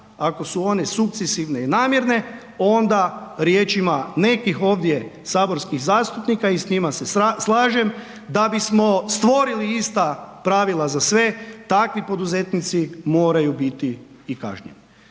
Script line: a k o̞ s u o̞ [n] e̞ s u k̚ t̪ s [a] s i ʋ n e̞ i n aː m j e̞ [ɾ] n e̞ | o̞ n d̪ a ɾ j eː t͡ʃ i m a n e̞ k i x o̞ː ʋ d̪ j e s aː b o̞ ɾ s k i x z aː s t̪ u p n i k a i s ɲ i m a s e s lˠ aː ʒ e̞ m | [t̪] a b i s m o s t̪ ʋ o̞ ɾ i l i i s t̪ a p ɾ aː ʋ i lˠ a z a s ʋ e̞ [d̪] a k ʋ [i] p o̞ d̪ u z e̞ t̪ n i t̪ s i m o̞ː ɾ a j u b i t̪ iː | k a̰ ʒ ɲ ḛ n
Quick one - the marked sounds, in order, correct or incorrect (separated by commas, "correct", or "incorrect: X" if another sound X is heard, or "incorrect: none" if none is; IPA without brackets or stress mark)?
correct, incorrect: e, correct, incorrect: d̪, incorrect: t̪, correct